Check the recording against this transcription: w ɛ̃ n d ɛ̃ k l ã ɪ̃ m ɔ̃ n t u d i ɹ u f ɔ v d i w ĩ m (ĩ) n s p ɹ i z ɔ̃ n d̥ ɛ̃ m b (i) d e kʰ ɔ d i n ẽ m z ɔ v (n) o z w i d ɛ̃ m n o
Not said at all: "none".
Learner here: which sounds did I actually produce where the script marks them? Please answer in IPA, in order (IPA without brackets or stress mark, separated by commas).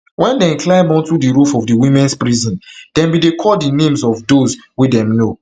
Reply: ɛ̃, i, d